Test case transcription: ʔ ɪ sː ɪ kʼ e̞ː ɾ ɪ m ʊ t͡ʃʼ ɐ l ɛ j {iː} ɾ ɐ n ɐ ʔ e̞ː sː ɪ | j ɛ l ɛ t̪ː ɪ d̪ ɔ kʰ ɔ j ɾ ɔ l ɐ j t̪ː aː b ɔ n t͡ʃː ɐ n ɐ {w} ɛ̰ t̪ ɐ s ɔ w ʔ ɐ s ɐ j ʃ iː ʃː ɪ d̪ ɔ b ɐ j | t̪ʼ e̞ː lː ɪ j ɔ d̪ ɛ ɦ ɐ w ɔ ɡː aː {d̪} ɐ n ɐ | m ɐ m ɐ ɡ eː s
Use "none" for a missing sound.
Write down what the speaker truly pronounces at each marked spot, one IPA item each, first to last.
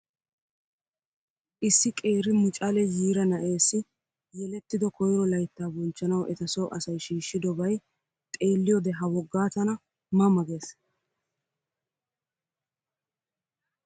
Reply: iː, w, t̪

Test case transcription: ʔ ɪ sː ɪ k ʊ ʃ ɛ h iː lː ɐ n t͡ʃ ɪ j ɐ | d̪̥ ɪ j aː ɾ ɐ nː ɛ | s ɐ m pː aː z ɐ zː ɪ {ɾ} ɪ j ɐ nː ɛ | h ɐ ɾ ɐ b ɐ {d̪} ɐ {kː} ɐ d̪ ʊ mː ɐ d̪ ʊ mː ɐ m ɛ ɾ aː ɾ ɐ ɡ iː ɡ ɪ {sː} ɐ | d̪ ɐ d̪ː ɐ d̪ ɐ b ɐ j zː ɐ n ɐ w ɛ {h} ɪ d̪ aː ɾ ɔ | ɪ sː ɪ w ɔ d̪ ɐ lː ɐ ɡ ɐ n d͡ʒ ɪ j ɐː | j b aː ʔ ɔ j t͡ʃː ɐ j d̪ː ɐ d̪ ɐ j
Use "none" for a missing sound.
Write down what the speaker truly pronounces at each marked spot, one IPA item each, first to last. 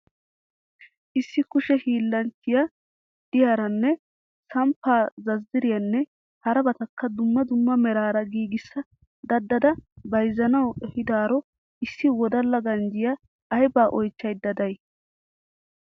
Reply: ɾ, t̪, kː, sː, h

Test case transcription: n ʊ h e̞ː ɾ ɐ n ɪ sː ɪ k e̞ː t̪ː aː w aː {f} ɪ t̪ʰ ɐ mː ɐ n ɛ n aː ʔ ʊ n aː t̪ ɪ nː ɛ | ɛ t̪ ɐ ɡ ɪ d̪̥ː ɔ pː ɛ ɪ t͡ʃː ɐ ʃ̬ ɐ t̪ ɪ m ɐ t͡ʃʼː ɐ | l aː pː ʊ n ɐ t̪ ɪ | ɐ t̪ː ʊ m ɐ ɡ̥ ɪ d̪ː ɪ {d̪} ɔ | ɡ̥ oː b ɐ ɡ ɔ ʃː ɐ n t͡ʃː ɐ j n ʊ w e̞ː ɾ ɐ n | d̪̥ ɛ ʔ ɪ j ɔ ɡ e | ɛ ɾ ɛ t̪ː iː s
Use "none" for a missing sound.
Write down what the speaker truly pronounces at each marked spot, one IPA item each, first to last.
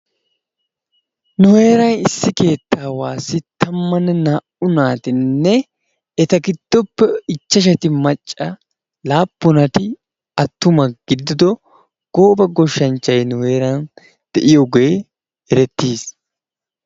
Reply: s, d̪

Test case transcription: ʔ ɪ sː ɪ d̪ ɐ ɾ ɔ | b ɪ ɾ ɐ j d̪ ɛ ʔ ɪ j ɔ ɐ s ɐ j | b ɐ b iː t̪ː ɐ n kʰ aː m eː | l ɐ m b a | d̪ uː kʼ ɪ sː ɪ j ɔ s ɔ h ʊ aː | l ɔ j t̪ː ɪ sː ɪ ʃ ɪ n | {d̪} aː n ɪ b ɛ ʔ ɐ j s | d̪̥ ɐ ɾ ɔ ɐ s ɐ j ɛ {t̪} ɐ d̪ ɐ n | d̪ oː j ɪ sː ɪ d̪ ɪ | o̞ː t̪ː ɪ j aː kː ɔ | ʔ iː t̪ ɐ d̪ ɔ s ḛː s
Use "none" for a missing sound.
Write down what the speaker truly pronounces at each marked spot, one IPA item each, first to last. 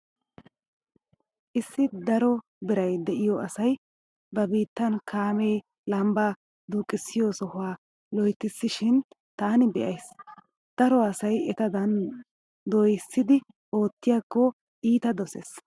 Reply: t̪, t̪

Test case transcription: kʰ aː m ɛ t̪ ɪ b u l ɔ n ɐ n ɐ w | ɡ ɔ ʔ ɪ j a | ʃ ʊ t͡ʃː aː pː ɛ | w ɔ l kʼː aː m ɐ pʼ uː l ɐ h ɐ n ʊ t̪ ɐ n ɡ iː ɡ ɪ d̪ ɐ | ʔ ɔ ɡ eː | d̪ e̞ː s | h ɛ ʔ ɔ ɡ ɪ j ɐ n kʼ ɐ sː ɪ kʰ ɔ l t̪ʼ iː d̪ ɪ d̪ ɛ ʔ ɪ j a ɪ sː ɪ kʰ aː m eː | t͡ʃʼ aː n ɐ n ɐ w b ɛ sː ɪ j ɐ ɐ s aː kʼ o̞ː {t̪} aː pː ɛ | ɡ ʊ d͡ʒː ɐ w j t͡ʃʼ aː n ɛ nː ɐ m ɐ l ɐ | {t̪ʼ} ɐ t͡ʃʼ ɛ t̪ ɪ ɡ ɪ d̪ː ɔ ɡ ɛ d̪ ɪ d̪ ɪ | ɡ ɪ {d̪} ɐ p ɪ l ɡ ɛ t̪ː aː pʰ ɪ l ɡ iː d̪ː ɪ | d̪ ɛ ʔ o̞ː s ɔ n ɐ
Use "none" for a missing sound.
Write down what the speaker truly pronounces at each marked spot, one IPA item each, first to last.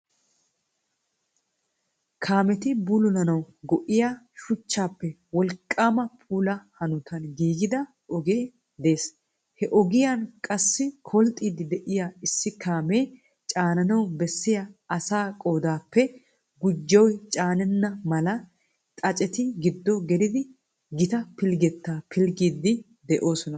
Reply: d̪, t̪ʼ, t̪

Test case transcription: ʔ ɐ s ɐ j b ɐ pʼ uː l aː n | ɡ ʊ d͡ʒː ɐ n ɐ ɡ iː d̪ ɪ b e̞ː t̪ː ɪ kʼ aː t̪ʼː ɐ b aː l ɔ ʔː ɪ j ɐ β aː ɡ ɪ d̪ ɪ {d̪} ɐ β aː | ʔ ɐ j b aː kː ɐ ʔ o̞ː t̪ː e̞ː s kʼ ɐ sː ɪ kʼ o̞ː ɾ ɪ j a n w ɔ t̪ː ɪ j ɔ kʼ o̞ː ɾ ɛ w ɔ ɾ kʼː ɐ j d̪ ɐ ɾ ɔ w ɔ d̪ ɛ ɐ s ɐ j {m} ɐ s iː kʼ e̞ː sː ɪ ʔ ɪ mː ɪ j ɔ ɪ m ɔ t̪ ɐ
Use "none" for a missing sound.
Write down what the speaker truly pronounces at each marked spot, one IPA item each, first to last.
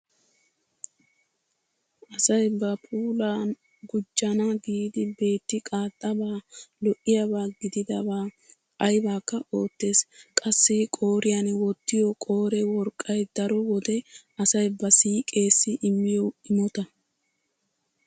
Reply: d̪, b

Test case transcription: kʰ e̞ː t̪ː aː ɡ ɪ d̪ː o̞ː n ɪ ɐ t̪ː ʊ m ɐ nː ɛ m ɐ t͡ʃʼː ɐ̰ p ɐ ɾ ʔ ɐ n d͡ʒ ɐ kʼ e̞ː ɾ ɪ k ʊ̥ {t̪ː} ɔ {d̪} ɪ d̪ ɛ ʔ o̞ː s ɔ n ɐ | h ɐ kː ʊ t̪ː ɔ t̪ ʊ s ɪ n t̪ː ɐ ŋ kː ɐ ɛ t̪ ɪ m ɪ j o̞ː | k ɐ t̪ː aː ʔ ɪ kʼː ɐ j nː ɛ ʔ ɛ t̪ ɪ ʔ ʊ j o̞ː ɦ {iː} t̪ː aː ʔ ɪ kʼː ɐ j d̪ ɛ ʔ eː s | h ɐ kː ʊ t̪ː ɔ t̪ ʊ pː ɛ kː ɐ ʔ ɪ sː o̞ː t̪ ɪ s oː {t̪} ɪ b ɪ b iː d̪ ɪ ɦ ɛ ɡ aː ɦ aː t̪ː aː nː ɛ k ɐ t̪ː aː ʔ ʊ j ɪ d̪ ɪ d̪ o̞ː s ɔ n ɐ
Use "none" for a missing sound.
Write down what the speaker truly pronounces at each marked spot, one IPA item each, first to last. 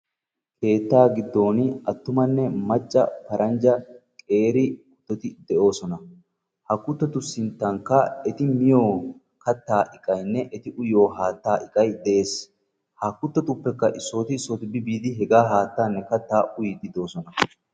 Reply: t̪ː, t̪, aː, t̪

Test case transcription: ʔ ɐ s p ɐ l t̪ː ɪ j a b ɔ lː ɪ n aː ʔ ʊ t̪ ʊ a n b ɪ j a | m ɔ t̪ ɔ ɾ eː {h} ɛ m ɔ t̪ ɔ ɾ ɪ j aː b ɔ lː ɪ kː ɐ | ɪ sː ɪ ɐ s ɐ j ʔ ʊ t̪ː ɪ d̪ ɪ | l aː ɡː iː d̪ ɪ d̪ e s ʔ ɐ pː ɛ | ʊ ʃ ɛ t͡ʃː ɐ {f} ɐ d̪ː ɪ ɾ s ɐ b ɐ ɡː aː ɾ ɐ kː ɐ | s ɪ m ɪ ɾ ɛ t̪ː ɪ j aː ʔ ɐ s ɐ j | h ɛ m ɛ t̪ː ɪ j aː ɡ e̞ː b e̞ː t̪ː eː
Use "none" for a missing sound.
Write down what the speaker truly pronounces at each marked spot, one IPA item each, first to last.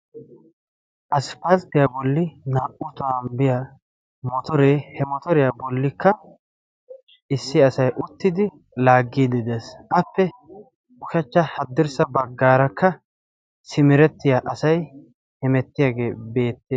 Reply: h, h

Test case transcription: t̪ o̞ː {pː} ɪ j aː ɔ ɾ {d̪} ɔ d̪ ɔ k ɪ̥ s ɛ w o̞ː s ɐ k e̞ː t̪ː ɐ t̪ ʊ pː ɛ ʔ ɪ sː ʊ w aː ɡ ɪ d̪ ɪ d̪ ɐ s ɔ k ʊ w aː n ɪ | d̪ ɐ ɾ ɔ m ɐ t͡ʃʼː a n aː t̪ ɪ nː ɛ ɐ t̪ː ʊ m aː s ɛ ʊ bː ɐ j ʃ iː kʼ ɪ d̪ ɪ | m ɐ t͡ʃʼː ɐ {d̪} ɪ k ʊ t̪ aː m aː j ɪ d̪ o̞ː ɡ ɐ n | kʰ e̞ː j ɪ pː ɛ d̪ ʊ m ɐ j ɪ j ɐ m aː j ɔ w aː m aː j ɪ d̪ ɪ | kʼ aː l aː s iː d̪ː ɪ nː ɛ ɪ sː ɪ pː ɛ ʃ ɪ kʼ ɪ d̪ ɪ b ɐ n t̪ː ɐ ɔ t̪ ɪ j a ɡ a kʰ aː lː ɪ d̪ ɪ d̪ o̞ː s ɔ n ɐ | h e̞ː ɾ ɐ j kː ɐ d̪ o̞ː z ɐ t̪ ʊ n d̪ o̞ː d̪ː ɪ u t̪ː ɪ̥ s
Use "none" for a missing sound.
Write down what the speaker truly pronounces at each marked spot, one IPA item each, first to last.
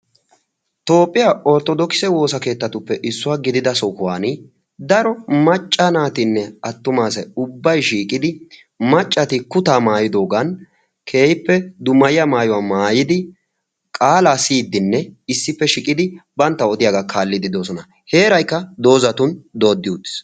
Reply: pʼː, t̪, t̪

